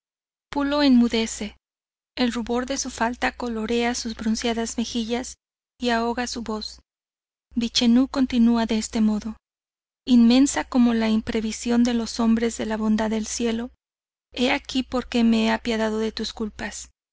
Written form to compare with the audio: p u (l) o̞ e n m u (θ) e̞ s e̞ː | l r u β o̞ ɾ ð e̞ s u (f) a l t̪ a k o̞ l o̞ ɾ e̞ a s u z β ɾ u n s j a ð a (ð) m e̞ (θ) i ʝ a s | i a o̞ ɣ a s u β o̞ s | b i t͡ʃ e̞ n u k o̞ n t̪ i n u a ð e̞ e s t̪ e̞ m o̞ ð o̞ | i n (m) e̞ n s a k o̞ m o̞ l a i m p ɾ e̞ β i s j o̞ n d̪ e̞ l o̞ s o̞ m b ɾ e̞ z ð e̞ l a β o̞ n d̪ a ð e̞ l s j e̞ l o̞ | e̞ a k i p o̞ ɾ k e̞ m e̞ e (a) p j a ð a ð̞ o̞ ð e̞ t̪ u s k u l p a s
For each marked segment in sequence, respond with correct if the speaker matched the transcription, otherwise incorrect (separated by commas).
correct, incorrect, correct, incorrect, incorrect, correct, correct